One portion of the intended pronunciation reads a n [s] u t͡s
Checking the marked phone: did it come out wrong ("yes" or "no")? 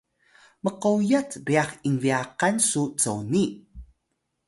no